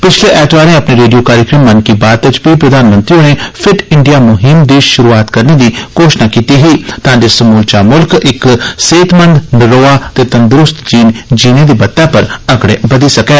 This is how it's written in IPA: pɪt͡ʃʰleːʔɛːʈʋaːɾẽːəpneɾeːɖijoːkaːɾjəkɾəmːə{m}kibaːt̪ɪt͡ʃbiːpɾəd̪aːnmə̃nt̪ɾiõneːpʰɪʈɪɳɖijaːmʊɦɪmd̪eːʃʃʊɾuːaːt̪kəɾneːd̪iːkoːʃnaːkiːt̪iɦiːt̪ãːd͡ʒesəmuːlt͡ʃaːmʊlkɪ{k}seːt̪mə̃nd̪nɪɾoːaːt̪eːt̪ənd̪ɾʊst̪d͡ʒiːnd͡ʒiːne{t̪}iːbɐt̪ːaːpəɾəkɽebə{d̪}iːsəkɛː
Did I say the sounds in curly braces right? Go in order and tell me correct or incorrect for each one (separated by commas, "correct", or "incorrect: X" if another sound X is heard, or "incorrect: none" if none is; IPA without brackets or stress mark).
incorrect: n, correct, incorrect: d̪, correct